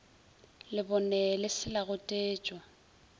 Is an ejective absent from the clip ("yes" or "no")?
no